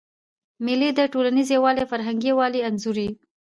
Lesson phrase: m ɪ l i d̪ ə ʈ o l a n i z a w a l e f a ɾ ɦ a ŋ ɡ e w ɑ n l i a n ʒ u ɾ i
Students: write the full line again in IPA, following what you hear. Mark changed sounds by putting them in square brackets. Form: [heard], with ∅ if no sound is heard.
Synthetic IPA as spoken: m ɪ l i d̪ ə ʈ o l a n i z [e] w [ɑ] l e f a ɾ ɦ a ŋ ɡ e w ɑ [∅] l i a n [z] u ɾ i